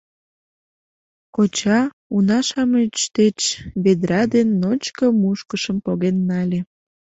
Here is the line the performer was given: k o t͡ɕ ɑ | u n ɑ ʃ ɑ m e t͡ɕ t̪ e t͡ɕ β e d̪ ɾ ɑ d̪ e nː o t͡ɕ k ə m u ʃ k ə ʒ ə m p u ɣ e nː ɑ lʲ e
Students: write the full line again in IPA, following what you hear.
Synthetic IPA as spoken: k o t͡ɕ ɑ | u n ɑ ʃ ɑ m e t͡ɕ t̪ e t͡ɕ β e d̪ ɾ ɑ d̪ e nː o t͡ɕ k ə m u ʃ k ə ʃ ə m p o ɣ e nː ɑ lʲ e